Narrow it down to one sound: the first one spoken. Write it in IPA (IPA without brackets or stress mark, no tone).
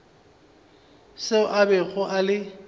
s